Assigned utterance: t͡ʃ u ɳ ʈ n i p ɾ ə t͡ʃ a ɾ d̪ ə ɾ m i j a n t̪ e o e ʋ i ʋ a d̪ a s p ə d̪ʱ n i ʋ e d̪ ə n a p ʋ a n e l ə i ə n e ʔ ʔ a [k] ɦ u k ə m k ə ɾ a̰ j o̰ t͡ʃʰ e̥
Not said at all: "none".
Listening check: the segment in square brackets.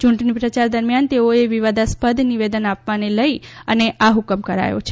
none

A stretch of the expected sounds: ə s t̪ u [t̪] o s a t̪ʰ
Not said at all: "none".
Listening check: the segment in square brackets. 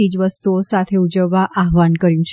none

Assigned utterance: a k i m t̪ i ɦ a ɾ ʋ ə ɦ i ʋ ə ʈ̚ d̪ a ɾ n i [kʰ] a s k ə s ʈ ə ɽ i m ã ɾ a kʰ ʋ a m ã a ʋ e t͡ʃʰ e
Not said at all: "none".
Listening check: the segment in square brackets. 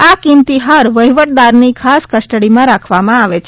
kʰ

